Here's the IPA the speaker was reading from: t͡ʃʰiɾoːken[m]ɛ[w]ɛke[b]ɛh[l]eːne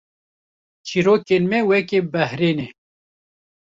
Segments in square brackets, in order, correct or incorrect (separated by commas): correct, correct, correct, incorrect